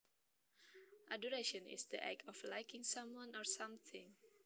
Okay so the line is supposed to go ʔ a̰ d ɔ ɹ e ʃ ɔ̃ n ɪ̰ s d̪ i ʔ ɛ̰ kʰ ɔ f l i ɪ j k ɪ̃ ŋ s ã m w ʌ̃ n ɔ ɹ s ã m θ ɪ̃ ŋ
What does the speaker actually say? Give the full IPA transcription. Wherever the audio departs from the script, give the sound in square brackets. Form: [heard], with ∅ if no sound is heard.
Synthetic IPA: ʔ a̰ d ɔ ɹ e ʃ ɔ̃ n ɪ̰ s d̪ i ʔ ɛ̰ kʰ ɔ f l [a] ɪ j k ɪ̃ ŋ s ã m w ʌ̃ n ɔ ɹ s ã m θ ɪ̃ ŋ